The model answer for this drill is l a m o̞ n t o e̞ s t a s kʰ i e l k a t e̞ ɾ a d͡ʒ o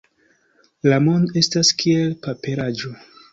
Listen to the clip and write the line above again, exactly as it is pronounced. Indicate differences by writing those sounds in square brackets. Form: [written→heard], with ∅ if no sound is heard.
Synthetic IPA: l a m o̞ n [t→d] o e̞ s t a s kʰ i e l [k→p] a [t→p] e̞ ɾ a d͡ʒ o

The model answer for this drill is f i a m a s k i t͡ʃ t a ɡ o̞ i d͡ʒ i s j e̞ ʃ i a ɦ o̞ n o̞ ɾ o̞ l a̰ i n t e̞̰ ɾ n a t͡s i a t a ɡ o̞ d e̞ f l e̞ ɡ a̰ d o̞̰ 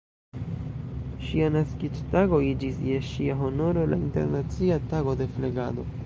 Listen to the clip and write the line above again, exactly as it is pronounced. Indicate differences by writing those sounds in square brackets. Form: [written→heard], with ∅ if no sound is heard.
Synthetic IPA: [f→ʃ] i a [m→n] a s k i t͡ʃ t a ɡ o̞ i d͡ʒ i s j e̞ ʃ i a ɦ o̞ n o̞ ɾ o̞ l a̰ i n t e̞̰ ɾ n a t͡s i a t a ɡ o̞ d e̞ f l e̞ ɡ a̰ d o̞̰

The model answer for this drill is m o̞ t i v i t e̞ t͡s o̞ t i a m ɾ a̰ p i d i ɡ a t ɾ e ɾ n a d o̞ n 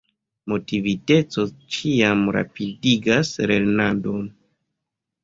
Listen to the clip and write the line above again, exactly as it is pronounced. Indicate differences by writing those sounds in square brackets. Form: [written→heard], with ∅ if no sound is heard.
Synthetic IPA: m o̞ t i v i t e̞ t͡s o̞ [t→t͡ʃ] i a m ɾ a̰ p i d i ɡ a [t→s] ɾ e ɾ n a d o̞ n

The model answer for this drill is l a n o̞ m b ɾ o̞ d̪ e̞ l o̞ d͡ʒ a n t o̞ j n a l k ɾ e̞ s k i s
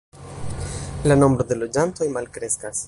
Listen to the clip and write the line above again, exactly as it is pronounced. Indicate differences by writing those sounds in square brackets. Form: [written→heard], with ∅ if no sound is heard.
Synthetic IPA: l a n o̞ m b ɾ o̞ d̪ e̞ l o̞ d͡ʒ a n t o̞ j [n→m] a l k ɾ e̞ s k [i→a] s

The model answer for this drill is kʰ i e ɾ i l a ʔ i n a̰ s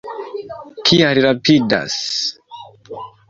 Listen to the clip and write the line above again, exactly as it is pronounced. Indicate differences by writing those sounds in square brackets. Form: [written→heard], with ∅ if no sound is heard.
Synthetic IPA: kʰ i [e→a] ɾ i [l→ɾ] a [ʔ→p] i [n→d] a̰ s

